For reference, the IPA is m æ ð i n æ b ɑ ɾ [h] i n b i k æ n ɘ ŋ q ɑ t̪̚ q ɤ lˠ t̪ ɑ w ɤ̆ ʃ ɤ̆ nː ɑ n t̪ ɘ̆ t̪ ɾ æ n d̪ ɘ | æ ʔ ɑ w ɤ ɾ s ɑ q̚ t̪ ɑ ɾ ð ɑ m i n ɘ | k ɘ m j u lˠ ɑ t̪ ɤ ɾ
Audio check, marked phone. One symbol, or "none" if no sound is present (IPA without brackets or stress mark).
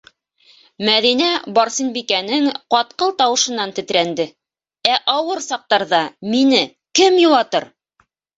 s